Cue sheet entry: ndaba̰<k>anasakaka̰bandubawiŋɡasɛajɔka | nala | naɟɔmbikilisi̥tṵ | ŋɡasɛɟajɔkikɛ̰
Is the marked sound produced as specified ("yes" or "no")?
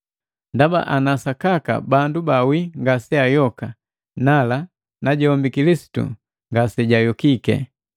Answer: no